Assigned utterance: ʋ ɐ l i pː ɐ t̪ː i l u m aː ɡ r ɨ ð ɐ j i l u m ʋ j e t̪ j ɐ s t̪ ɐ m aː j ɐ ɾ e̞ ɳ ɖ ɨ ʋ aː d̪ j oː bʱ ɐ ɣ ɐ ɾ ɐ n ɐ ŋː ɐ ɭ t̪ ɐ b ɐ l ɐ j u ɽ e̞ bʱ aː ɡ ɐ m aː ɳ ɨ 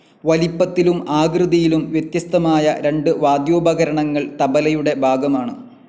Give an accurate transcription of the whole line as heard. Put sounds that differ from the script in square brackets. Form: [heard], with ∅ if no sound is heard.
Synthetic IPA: ʋ ɐ l i pː ɐ t̪ː i l u m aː ɡ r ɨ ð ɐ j i l u m ʋ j e t̪ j ɐ s t̪ ɐ m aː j ɐ ɾ e̞ ɳ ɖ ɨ ʋ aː d̪ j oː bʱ ɐ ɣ ɐ ɾ ɐ [ɳ] ɐ ŋː ɐ ɭ t̪ ɐ b ɐ l ɐ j u ɽ e̞ bʱ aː ɡ ɐ m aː ɳ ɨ